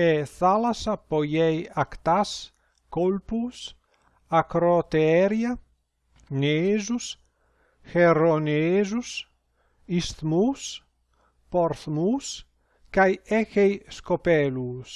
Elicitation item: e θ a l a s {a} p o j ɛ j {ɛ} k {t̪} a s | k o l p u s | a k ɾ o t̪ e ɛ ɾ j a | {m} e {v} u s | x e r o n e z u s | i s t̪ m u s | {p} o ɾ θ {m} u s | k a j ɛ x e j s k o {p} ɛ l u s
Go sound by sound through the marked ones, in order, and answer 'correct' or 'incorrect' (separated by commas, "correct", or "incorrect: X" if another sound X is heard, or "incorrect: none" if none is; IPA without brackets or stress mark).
correct, incorrect: a, correct, incorrect: n, incorrect: z, correct, correct, correct